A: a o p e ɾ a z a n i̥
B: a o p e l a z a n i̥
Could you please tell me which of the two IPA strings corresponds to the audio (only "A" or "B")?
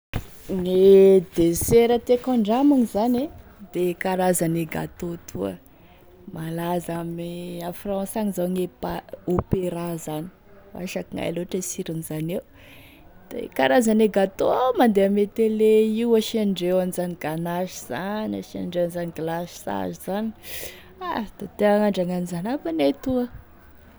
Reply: A